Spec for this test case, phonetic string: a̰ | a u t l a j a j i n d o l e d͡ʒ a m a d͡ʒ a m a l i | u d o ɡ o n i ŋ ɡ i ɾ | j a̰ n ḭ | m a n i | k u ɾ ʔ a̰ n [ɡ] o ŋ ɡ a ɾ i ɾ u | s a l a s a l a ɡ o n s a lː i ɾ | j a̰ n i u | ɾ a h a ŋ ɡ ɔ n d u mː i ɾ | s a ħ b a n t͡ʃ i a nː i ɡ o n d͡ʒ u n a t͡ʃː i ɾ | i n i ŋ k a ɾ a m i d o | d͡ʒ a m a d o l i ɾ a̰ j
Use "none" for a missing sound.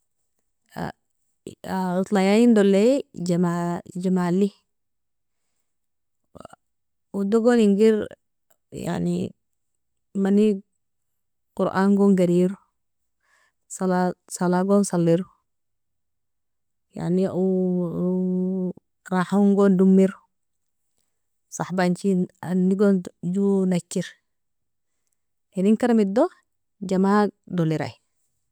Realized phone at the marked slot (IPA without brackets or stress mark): ɡ